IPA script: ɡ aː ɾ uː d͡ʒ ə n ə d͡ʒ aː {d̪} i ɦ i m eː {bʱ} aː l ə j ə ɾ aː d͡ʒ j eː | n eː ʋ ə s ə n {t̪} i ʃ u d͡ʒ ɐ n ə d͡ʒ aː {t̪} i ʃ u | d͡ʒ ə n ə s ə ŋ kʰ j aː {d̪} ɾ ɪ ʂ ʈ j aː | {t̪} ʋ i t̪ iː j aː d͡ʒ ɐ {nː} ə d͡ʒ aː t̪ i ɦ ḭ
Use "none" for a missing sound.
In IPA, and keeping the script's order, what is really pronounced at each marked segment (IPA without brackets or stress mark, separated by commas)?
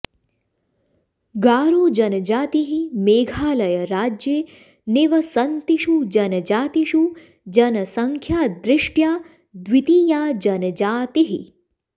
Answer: t̪, ɡʱ, t̪, t̪, d̪, d̪, n